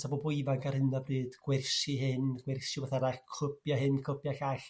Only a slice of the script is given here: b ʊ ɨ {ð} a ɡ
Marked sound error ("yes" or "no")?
yes